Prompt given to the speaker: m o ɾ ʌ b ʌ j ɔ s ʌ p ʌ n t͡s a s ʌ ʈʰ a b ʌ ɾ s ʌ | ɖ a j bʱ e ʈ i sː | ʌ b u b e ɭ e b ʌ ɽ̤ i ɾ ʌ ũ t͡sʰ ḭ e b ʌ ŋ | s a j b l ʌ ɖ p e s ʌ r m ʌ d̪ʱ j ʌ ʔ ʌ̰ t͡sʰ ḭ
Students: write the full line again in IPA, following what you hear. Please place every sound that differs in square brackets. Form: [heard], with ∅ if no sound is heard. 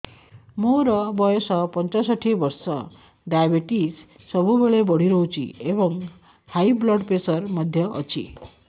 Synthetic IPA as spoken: m o ɾ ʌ b ʌ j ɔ s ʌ p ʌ n t͡s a s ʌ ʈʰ [i] b ʌ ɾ s ʌ | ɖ a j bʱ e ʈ i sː | ʌ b u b e ɭ e b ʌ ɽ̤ i ɾ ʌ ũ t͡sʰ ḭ e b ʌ ŋ | [h] a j b l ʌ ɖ p e s ʌ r m ʌ d̪ʱ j ʌ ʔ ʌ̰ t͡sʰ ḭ